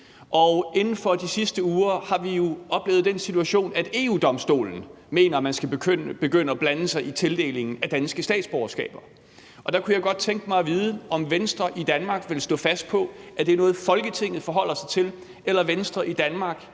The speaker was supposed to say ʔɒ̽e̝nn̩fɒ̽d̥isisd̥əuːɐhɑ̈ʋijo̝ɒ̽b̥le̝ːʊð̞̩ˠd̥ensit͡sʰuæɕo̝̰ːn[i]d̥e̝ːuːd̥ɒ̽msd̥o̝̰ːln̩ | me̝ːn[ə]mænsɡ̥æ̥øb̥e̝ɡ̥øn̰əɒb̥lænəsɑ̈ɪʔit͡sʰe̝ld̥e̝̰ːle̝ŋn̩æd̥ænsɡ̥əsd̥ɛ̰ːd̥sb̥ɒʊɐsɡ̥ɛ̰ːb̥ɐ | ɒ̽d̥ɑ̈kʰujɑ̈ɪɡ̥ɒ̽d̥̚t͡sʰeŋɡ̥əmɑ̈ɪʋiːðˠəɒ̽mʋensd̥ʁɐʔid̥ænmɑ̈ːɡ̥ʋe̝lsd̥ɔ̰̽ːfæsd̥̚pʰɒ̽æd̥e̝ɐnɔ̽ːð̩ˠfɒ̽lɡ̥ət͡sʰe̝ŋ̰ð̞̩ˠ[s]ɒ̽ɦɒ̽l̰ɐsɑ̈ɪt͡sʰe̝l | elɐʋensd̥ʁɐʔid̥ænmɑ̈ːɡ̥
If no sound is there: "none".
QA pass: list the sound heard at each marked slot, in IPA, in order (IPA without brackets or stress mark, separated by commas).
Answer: æ, ɐ, f